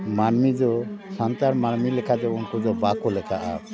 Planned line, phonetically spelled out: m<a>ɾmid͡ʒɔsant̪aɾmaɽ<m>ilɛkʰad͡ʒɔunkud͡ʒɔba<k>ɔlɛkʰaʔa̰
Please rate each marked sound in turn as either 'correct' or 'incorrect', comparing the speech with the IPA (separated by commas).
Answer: correct, correct, correct